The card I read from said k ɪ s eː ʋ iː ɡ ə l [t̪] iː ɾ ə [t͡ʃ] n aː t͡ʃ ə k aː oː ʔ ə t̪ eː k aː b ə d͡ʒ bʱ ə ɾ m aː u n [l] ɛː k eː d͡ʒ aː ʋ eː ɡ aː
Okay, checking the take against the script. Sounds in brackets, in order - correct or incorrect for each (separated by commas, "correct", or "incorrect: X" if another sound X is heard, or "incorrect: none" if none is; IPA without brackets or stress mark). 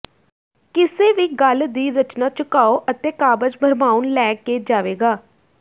incorrect: d̪, correct, correct